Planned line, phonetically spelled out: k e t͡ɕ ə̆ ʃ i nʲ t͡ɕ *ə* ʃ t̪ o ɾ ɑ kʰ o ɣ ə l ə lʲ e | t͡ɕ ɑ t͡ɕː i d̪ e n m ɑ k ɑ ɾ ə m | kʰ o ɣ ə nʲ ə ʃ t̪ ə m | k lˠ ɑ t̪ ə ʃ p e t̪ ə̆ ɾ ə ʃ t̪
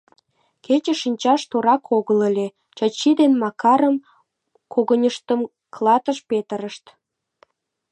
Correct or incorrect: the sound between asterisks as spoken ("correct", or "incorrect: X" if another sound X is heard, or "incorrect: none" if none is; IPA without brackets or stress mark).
incorrect: ɑ